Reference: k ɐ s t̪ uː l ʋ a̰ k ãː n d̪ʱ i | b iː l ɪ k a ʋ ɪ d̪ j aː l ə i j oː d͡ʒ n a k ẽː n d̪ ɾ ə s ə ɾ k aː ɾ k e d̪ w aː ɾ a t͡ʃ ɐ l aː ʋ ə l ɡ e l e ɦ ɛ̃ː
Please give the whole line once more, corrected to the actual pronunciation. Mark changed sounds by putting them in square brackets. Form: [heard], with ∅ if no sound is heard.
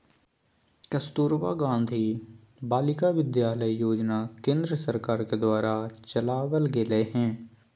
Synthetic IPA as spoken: k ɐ s t̪ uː [ɾ] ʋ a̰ [ɡ] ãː n d̪ʱ i | b [aː] l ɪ k a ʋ ɪ d̪ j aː l ə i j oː d͡ʒ n a k ẽː n d̪ ɾ ə s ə ɾ k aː ɾ k e d̪ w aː ɾ a t͡ʃ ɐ l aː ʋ ə l ɡ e l e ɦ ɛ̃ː

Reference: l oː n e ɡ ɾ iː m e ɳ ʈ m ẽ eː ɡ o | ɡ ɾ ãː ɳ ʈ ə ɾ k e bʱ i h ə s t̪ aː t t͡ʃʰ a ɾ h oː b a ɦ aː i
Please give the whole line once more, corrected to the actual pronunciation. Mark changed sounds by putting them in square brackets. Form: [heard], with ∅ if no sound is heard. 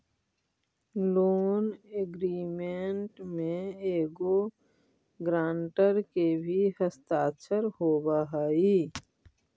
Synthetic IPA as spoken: l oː n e ɡ ɾ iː m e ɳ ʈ m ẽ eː ɡ o | ɡ ɾ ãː ɳ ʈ ə ɾ k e bʱ i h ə s t̪ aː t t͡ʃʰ [ə] ɾ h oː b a ɦ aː i

